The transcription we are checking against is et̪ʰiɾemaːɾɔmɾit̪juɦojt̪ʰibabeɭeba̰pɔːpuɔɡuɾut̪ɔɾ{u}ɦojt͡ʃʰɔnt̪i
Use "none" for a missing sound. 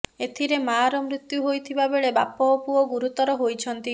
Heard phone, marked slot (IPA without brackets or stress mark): ɔ